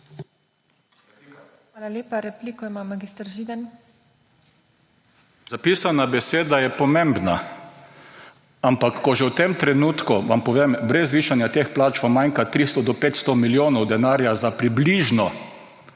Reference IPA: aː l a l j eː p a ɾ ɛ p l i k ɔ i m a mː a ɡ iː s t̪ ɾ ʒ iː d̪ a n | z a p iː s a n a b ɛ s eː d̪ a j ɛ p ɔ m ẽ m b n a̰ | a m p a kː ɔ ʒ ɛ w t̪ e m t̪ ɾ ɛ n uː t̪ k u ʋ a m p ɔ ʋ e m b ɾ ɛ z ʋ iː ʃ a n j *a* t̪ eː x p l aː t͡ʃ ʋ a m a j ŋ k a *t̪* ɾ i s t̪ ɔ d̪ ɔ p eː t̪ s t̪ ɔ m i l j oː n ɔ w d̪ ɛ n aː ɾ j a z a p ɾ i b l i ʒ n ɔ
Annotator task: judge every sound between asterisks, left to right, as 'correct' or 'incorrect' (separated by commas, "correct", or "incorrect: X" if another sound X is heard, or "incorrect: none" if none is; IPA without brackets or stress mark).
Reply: correct, correct